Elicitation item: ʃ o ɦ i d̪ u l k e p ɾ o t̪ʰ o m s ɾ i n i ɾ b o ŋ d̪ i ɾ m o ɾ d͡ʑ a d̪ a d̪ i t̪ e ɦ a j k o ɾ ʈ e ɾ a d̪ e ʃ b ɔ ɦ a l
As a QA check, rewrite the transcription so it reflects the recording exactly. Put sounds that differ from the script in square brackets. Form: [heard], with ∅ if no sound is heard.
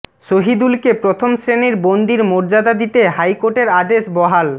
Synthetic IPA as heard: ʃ o ɦ i d̪ u l k e p ɾ o t̪ʰ o m s ɾ [e] n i ɾ b o [n] d̪ i ɾ m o ɾ d͡ʑ a d̪ a d̪ i t̪ e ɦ a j k o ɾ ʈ e ɾ a d̪ e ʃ b ɔ ɦ a l